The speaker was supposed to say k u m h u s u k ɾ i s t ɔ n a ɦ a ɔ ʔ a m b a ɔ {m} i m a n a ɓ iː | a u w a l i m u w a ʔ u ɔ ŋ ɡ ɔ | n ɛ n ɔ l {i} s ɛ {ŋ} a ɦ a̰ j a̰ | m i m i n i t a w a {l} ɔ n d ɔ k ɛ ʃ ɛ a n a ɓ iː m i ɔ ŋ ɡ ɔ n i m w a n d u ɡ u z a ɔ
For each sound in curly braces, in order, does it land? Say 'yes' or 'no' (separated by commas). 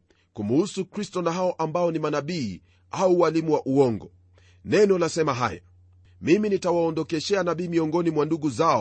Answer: no, no, no, no